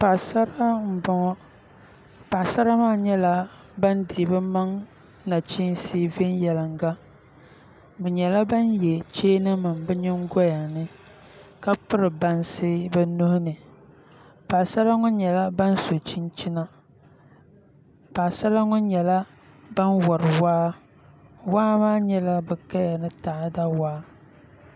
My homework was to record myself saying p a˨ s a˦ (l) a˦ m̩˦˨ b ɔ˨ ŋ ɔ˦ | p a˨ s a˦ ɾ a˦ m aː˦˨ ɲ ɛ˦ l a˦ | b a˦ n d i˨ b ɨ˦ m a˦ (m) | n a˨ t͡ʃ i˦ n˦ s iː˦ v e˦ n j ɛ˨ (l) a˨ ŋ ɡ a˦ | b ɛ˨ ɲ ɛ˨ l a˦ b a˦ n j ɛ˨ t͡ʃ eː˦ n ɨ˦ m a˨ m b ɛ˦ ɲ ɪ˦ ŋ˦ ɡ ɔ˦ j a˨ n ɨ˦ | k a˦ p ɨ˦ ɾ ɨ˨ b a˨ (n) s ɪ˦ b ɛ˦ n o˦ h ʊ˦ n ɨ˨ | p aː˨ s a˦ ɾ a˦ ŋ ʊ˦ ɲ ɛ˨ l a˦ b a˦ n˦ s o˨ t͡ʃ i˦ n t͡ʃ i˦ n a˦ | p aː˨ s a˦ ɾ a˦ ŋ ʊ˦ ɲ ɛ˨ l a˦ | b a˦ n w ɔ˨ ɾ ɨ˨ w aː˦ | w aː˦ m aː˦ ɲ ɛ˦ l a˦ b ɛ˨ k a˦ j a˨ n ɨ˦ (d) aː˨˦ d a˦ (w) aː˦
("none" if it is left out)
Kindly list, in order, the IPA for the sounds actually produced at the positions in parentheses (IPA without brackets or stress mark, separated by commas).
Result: ɾ, ŋ, l, n, t, w